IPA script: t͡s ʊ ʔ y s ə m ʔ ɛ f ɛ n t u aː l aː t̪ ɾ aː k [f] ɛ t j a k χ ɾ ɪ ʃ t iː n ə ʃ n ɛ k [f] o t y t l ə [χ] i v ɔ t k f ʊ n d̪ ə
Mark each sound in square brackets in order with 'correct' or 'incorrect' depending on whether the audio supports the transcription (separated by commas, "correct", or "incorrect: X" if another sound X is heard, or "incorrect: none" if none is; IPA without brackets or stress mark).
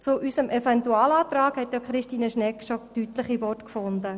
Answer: incorrect: h, incorrect: ʃ, correct